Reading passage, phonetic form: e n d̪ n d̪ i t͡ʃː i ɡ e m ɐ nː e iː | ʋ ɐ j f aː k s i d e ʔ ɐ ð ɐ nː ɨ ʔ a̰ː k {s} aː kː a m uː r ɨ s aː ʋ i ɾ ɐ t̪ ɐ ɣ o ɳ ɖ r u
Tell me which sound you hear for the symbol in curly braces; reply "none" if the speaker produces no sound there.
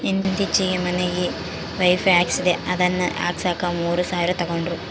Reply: s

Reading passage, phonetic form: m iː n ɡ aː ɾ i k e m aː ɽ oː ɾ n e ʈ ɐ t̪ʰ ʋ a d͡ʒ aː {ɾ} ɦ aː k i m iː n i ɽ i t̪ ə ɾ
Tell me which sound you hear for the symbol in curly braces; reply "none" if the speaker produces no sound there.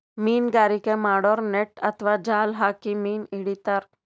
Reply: l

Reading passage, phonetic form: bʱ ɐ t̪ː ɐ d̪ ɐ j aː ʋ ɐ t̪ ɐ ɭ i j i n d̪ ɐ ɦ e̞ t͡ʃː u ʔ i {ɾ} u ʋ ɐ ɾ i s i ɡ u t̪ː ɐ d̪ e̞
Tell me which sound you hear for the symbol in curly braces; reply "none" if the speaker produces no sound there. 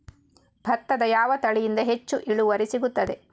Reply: ɭ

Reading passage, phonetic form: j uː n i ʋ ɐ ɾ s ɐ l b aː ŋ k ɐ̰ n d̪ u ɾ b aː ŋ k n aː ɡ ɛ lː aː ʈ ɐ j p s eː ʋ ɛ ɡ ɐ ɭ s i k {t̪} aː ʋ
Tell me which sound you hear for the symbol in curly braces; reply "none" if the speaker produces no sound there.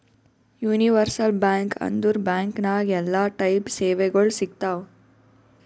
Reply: t̪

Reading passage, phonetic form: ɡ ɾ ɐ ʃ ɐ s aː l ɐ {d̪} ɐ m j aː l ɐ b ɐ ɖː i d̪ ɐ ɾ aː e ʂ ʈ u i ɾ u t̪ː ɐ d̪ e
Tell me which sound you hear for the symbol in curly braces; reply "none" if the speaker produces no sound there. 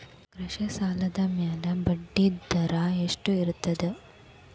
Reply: d̪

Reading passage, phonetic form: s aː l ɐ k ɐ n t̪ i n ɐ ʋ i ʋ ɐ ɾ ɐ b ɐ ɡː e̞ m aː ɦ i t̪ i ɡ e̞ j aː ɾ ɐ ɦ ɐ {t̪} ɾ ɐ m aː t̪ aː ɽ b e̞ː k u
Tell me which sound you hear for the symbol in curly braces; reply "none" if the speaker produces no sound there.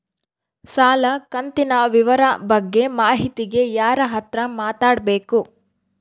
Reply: t̪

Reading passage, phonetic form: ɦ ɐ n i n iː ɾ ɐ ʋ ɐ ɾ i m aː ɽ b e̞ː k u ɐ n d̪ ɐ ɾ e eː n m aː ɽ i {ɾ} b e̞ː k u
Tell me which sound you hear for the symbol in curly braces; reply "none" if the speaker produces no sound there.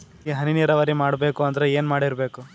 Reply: ɾ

